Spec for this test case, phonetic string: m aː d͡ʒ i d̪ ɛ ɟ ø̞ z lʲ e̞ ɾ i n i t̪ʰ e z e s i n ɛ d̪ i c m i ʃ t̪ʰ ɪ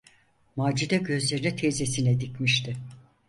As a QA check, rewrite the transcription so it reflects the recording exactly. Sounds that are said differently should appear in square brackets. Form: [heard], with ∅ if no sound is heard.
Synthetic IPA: m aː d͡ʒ i d̪ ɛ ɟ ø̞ z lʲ e̞ ɾ i n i t̪ʰ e z e s i n ɛ d̪ i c m i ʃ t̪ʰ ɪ